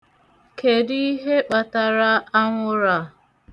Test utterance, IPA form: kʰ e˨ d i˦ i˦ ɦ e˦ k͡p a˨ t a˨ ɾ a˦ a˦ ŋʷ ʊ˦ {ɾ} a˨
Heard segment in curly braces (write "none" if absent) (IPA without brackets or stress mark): ɾ